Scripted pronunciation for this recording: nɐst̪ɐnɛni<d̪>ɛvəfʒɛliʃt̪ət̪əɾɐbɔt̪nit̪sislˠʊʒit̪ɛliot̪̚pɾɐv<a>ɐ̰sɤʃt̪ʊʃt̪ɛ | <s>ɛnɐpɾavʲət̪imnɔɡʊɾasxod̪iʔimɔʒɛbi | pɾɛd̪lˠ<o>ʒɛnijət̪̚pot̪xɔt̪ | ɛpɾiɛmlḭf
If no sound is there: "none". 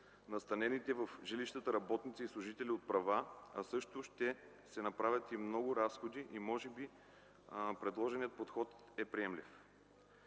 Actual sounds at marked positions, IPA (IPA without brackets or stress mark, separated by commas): t̪, a, s, ɔ